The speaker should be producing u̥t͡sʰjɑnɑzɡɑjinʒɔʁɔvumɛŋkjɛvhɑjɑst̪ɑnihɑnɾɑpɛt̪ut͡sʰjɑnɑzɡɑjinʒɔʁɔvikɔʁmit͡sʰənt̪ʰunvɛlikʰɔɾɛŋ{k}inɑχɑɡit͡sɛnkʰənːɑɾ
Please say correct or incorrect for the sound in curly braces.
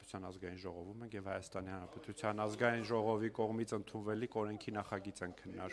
incorrect